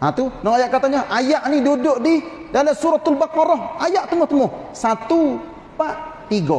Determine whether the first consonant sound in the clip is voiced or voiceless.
voiceless